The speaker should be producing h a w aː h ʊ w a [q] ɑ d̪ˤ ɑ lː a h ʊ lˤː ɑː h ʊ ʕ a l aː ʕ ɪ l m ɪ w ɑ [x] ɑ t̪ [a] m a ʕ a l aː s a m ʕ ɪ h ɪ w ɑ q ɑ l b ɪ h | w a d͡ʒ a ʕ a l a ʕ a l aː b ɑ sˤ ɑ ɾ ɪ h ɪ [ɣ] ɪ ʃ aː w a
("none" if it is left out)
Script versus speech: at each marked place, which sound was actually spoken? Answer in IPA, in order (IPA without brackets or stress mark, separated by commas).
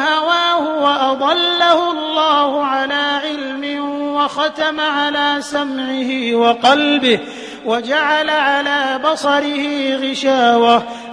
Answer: ʔ, x, a, ɣ